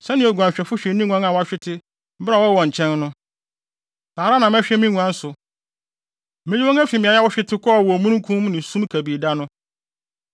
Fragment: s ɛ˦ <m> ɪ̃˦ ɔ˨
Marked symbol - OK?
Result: no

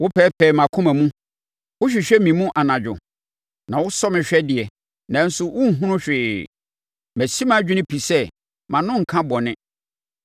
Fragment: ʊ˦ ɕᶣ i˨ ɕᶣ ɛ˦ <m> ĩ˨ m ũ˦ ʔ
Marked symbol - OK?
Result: yes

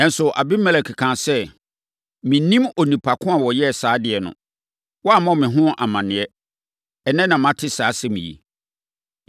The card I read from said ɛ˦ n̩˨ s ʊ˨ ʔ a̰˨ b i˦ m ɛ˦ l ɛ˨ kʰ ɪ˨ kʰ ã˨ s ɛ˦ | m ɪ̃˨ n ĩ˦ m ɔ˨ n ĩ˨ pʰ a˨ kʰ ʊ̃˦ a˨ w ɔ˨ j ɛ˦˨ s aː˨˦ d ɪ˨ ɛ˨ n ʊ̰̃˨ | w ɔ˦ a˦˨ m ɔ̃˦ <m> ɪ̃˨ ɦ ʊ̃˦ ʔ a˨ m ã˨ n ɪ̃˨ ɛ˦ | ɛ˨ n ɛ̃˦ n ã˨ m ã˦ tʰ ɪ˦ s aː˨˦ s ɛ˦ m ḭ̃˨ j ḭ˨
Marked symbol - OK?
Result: yes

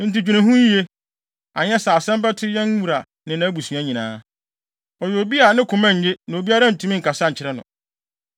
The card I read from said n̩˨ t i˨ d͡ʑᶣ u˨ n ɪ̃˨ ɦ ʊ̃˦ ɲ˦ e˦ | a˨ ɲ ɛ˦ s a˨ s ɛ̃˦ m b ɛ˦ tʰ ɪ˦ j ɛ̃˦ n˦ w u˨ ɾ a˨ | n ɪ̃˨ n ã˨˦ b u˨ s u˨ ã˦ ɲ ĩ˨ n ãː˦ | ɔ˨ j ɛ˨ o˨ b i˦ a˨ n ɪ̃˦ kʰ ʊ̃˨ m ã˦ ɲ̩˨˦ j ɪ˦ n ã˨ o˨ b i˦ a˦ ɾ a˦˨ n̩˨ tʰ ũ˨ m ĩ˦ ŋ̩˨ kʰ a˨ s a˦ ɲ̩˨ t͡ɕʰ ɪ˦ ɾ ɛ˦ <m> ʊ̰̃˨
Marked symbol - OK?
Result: no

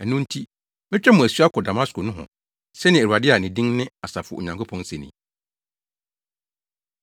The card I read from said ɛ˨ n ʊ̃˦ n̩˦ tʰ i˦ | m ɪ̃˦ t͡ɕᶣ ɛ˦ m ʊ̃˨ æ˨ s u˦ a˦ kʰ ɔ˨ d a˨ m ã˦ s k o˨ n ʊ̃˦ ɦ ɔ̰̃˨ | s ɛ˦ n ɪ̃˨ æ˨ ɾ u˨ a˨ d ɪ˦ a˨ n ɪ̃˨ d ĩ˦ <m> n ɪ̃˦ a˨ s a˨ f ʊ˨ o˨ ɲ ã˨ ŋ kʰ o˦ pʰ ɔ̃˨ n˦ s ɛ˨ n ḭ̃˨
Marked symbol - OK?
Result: no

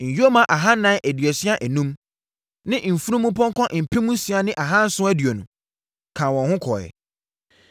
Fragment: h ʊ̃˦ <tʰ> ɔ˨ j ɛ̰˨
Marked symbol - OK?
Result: no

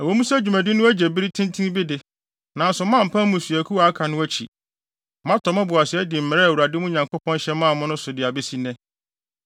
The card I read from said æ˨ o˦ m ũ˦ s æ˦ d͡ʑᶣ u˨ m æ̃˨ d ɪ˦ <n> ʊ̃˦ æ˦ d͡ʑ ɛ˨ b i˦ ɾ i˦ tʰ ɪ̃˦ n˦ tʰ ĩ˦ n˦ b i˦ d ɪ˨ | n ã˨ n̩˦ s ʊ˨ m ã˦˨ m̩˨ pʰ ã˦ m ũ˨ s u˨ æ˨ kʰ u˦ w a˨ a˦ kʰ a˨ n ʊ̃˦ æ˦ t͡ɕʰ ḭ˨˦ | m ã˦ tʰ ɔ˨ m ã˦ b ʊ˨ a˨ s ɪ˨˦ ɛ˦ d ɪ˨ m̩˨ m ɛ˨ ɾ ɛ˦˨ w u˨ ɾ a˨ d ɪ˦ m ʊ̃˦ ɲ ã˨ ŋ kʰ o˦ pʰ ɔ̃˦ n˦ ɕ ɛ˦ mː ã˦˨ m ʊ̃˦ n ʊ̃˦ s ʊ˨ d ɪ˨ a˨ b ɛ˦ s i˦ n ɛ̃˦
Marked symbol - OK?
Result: yes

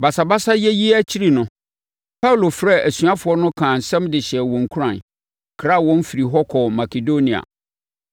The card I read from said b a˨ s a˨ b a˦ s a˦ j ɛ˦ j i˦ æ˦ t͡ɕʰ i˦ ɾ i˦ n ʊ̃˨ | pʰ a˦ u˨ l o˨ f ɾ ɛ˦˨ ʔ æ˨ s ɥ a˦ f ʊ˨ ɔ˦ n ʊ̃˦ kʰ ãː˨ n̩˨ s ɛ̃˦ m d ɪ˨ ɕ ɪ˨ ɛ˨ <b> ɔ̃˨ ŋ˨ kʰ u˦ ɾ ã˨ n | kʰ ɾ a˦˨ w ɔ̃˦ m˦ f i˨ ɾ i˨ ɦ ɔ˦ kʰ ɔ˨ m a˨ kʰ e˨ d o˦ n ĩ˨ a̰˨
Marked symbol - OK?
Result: no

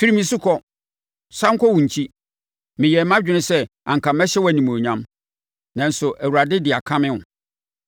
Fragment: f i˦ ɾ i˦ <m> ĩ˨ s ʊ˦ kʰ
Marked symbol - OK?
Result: yes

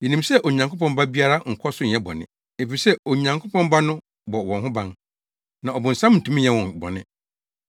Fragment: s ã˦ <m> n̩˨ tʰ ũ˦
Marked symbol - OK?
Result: yes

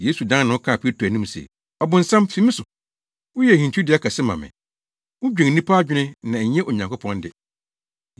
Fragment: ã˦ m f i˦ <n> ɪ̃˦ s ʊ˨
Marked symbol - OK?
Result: no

